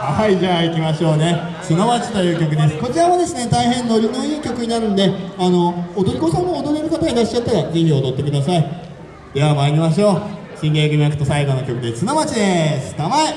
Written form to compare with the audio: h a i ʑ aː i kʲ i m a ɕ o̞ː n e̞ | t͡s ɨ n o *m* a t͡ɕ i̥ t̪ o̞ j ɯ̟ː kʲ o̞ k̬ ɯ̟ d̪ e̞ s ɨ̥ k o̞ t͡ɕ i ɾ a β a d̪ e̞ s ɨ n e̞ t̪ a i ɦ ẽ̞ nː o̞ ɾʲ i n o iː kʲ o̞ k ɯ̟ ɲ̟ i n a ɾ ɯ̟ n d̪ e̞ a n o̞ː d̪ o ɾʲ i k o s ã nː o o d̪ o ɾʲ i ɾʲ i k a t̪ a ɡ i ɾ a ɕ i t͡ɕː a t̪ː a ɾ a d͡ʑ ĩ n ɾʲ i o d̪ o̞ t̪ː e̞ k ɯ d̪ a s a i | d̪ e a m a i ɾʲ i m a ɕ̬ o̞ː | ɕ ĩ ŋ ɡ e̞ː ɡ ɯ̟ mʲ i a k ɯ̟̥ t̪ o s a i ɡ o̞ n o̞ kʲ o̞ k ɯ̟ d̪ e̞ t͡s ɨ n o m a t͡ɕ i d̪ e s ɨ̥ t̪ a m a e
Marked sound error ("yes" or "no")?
no